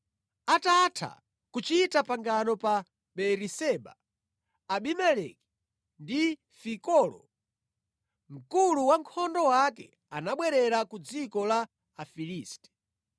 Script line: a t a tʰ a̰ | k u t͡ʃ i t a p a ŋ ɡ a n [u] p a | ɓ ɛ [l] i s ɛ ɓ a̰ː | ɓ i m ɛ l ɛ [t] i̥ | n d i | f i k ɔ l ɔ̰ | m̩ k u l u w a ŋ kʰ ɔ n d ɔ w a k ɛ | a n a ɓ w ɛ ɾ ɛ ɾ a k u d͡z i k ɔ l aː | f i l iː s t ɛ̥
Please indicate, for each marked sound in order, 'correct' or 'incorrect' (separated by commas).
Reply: incorrect, incorrect, incorrect